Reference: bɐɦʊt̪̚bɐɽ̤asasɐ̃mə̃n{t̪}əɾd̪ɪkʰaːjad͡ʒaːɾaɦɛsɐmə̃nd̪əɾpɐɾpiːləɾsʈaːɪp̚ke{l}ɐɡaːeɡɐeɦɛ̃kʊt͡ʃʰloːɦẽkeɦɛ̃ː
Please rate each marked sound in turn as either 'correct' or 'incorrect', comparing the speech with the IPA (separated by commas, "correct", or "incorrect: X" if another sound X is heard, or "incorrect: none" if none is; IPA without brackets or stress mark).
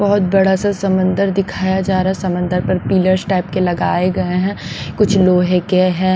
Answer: incorrect: d̪, correct